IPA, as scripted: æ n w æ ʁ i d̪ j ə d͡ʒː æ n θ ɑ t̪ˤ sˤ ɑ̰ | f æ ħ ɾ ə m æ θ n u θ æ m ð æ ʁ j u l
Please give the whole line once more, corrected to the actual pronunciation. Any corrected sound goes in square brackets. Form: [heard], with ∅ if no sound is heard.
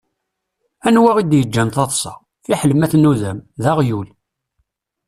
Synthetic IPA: æ n w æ ʁ i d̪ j ə d͡ʒː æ n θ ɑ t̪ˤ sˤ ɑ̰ | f [i] ħ [l] ə m æ θ n u [ð] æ m ð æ ʁ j u l